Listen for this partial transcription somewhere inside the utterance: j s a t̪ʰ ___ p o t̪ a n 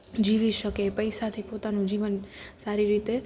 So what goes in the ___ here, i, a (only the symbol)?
i